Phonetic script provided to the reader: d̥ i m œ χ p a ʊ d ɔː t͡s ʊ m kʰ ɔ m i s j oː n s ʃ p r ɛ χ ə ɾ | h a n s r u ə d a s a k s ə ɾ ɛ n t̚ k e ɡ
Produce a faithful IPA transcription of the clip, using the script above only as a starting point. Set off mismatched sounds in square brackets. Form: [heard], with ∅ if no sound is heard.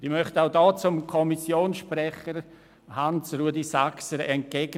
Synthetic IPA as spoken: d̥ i m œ χ [t] a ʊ d ɔː t͡s ʊ m kʰ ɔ m i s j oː n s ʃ p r ɛ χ ə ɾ | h a n s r u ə d [i] s a k s ə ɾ ɛ n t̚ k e ɡ